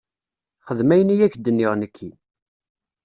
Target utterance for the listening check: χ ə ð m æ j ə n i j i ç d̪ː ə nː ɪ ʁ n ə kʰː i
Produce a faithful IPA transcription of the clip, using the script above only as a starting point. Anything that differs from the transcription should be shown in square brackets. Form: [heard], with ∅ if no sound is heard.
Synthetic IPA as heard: χ ə ð m æ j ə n i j [æ] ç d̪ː ə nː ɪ ʁ n ə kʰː i